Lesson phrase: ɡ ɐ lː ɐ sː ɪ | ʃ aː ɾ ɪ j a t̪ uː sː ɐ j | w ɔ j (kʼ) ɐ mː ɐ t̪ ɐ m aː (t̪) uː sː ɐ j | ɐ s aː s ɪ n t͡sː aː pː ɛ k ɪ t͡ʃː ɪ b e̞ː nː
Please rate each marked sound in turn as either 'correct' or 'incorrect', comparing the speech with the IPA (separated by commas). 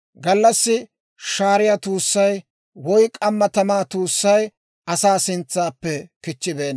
correct, correct